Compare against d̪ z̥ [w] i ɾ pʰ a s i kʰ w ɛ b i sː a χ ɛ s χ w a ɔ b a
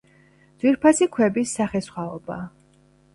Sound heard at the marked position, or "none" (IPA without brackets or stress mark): w